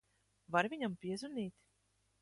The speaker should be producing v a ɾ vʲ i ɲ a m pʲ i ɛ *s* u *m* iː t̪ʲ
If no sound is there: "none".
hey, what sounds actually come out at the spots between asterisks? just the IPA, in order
z, n

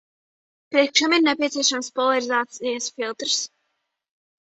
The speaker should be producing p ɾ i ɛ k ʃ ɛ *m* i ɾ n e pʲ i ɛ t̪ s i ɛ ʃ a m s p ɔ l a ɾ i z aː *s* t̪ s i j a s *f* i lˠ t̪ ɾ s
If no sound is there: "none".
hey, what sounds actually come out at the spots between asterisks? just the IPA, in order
m, none, f

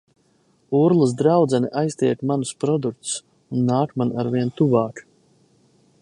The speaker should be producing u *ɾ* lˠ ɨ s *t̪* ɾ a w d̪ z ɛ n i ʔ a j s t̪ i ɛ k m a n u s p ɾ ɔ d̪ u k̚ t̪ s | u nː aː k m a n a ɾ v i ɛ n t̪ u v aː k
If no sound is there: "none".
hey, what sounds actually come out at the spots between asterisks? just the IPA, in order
ɾ, d̪

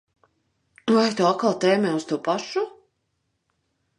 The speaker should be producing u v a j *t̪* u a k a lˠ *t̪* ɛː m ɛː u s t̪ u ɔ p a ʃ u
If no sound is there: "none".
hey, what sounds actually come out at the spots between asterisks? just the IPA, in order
t̪, t̪

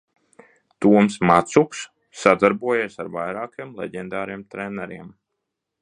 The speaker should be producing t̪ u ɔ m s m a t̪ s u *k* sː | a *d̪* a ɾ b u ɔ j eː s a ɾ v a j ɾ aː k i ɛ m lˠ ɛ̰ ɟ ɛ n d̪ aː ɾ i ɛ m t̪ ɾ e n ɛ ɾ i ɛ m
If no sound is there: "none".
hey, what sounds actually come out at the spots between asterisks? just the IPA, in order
k, d̪

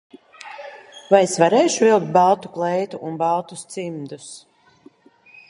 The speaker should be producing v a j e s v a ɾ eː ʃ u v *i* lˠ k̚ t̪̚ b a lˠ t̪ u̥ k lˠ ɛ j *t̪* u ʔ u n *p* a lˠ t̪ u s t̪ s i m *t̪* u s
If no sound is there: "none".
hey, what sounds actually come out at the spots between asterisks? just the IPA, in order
i, t̪, b, d̪

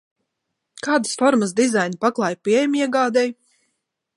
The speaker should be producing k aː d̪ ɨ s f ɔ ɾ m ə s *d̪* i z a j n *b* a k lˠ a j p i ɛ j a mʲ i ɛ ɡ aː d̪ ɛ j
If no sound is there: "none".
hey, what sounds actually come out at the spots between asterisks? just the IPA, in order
d̪, p

